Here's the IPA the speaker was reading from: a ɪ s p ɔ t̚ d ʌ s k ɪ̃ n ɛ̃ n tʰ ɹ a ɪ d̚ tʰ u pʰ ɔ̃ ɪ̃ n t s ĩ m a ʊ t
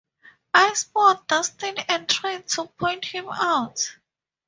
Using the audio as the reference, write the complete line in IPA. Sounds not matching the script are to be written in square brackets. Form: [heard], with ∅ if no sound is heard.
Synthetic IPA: a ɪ s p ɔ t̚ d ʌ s [t] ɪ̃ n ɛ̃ n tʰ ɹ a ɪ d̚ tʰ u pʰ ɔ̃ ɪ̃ n t [h] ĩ m a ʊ t

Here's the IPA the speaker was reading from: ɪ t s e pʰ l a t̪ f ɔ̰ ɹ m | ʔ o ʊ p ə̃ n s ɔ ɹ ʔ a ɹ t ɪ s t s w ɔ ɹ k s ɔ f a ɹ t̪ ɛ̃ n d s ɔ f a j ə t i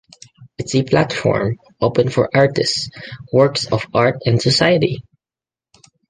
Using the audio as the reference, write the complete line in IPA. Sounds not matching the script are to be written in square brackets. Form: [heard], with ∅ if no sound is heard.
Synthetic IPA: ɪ t s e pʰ l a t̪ f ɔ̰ ɹ m | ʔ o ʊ p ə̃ n [f] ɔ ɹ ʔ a ɹ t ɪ s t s w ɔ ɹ k s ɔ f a ɹ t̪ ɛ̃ n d s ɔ [s] a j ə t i

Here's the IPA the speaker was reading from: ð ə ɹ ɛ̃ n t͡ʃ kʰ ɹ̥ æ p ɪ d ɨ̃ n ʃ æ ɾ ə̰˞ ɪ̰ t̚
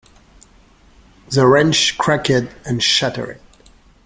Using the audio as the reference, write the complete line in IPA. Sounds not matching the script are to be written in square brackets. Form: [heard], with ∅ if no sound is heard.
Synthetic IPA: ð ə ɹ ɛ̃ n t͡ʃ kʰ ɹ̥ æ [k] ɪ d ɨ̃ n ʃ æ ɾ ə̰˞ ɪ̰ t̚

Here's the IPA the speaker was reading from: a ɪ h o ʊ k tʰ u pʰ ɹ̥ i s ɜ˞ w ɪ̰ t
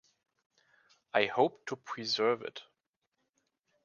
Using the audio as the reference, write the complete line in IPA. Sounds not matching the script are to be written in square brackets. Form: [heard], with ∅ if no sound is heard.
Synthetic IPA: a ɪ h o ʊ [p] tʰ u pʰ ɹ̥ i [z] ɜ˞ [v] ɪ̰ t

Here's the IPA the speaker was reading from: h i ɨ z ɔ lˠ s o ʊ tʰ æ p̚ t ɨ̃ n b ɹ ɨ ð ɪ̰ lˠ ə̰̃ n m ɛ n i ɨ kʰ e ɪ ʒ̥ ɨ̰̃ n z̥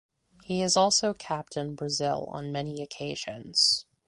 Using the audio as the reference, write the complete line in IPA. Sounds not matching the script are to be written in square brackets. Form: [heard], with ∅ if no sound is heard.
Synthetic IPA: h i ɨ z ɔ lˠ s o ʊ [kʰ] æ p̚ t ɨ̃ n b ɹ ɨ [z] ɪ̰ lˠ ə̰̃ n m ɛ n i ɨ kʰ e ɪ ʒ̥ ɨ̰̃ n z̥

